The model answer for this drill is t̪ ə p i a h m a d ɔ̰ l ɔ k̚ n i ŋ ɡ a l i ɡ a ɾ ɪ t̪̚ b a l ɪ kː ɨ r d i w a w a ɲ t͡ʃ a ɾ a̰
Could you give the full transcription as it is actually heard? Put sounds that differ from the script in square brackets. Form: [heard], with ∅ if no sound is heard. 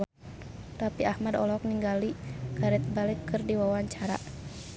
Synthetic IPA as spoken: t̪ [a] p i a h m a d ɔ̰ l ɔ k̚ n i ŋ ɡ a l i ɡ a ɾ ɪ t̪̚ b a l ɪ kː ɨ r d i w a w a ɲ t͡ʃ a ɾ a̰